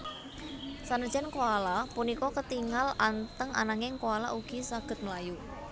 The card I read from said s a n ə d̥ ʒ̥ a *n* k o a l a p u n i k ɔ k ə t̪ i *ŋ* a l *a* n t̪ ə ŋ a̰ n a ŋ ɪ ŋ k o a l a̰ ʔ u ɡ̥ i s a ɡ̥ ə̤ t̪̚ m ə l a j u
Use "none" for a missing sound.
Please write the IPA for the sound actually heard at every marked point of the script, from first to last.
n, ŋ, a

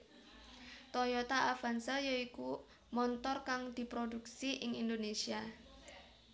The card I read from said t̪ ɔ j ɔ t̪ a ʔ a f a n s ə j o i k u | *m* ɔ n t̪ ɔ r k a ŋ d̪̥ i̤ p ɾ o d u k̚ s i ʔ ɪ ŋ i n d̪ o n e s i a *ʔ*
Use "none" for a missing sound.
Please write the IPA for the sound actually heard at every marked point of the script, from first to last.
m, none

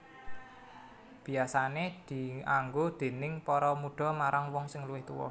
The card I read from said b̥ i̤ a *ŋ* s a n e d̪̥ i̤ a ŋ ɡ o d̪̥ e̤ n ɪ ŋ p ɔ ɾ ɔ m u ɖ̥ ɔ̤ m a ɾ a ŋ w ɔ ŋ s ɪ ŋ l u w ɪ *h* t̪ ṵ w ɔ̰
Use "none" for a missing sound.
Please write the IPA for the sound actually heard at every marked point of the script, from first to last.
none, h

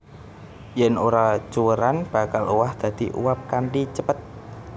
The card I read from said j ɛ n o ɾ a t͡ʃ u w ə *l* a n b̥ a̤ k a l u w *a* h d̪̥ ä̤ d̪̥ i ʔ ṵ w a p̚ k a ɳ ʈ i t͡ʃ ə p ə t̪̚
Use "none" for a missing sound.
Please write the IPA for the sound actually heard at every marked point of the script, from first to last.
ɾ, a

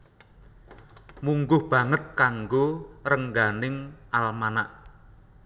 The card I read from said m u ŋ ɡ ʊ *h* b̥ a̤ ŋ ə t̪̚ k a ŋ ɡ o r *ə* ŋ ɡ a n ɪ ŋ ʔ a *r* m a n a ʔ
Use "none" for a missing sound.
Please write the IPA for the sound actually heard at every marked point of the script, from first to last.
h, ə, l

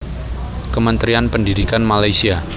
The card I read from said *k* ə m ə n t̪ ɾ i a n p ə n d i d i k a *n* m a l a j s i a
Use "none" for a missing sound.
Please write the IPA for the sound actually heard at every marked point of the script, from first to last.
k, n

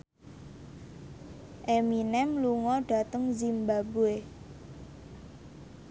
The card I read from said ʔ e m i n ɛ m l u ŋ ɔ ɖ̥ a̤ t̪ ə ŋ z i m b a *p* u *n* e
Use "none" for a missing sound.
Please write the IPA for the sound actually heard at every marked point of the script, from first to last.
b, none

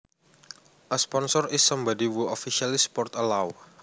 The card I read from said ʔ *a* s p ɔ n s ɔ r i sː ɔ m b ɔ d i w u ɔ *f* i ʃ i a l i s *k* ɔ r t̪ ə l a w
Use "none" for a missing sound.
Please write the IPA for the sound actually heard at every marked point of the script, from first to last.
ə, f, p

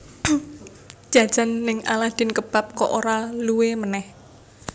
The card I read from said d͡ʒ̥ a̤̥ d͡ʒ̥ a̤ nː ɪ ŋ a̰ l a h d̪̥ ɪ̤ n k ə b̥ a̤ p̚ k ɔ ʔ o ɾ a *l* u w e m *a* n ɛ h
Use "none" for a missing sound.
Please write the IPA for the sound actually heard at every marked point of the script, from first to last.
l, ə

